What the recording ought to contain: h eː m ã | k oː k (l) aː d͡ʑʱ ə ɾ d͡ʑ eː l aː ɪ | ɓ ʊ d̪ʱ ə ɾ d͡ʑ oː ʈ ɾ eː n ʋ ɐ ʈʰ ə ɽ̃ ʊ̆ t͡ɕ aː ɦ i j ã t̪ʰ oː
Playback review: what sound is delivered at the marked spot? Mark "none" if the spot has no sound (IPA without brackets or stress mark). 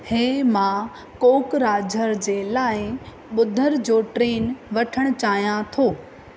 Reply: ɾ